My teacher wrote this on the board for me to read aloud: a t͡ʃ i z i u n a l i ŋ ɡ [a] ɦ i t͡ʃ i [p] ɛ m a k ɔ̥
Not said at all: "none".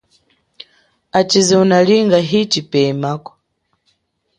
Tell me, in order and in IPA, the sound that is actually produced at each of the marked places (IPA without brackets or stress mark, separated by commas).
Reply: a, p